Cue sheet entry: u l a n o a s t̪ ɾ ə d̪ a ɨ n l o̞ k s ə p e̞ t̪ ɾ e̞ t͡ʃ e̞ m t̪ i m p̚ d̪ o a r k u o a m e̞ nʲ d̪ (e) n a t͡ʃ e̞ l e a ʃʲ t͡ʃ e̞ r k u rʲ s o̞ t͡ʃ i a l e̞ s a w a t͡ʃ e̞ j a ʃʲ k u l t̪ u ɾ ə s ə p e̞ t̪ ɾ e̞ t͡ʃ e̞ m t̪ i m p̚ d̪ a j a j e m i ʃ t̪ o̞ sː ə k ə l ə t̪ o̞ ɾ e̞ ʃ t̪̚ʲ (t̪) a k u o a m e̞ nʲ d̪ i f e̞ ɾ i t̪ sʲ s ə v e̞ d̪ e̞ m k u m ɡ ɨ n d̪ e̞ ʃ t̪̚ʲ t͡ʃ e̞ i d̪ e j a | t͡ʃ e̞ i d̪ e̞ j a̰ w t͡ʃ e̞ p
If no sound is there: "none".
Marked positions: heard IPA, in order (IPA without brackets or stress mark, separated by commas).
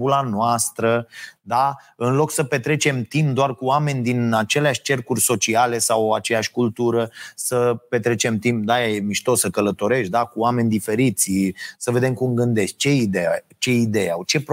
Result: i, d̪